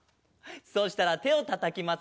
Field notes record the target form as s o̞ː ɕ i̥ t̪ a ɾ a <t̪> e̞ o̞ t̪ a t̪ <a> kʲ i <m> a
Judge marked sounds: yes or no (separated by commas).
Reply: yes, yes, yes